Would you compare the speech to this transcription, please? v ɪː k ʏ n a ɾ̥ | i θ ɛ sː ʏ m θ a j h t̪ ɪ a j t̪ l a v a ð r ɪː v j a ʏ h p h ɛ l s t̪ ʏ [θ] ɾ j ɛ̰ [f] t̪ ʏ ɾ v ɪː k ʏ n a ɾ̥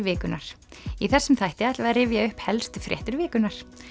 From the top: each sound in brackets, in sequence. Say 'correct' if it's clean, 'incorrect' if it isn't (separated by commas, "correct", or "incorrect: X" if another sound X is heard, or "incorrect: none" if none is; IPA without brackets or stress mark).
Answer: incorrect: f, incorrect: h